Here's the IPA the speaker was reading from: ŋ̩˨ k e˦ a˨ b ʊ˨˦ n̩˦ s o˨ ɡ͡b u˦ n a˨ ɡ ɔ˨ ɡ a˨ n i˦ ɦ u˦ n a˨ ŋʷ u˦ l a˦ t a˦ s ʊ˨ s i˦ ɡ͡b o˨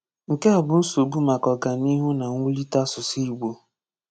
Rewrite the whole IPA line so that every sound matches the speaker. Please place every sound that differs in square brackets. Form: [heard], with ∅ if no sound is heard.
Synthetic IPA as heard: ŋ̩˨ k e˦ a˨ b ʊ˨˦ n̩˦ s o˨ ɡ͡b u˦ [m] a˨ [k] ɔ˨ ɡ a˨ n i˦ ɦ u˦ n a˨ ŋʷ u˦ l [i˦] t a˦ s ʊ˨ s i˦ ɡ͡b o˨

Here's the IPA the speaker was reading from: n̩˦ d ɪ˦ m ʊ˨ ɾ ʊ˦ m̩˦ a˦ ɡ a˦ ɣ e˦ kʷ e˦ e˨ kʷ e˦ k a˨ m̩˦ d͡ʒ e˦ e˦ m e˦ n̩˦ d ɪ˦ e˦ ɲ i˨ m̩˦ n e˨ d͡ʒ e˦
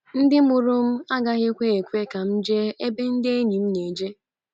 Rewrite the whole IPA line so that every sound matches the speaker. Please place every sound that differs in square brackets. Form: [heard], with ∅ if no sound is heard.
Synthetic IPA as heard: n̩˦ d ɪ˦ m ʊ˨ ɾ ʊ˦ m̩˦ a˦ ɡ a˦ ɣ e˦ kʷ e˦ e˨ kʷ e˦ k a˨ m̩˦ d͡ʒ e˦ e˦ [b] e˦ n̩˦ d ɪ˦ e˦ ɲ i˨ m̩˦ n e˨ d͡ʒ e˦

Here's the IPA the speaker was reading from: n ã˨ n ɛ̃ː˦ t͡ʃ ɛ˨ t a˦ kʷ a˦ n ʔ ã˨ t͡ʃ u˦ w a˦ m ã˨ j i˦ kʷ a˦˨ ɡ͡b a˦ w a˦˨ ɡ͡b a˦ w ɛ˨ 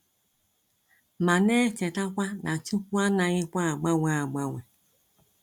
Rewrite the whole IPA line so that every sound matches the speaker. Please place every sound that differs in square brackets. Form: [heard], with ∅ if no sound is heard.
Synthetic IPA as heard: [m] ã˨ n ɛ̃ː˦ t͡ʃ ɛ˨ t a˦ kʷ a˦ n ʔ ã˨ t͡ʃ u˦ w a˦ [n] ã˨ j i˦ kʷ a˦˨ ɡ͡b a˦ w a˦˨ ɡ͡b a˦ w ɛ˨

